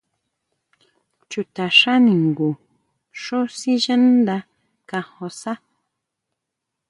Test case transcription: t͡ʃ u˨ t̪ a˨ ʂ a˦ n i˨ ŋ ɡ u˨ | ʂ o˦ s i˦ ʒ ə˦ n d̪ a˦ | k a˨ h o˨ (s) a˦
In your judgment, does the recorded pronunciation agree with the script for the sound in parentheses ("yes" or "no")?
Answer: yes